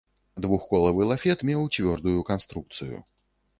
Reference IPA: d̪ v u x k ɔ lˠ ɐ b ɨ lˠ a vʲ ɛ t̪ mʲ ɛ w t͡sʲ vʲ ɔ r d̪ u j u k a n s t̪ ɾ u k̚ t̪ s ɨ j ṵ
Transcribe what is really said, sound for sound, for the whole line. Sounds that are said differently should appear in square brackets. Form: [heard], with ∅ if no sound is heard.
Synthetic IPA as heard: d̪ v u x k ɔ lˠ ɐ [v] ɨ lˠ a [fʲ] ɛ t̪ mʲ ɛ w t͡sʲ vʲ ɔ r d̪ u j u k a n s t̪ ɾ u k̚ t̪ s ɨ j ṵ